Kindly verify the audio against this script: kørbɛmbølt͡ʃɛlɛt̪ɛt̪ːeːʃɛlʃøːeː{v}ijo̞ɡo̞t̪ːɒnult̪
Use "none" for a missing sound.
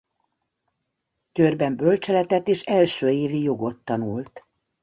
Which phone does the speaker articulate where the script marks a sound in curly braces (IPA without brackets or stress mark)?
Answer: v